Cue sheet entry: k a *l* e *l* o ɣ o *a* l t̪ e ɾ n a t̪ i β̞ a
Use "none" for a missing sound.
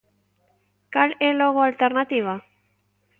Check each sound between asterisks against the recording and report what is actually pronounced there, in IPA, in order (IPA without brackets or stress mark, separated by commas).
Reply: l, l, a